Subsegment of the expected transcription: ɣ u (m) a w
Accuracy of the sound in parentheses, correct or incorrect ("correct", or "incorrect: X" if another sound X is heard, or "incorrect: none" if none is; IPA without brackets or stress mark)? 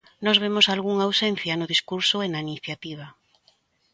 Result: incorrect: ŋ